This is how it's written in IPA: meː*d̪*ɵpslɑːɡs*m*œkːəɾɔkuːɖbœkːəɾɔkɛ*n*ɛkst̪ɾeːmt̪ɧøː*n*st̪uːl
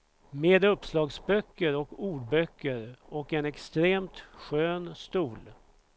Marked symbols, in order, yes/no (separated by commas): yes, no, yes, yes